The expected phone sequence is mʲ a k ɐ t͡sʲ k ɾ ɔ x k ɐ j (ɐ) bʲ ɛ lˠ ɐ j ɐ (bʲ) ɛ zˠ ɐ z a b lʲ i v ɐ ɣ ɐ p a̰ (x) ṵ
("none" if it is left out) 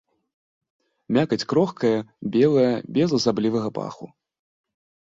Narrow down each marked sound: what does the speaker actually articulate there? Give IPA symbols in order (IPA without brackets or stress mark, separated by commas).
ɐ, bʲ, x